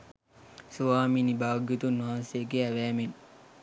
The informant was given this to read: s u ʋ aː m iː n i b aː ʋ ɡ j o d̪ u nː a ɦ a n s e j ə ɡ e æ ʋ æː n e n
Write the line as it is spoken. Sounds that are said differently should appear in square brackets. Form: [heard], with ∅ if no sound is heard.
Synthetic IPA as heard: s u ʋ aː m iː n i b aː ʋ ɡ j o [t̪] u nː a ɦ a n s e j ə ɡ e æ ʋ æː [m] e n